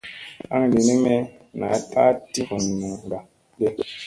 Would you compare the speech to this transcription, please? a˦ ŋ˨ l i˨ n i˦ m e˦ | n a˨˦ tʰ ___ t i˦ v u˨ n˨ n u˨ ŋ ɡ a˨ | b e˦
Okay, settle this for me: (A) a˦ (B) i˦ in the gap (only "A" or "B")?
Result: A